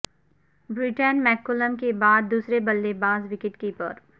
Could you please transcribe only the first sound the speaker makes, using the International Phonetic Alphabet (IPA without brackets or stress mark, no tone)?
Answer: b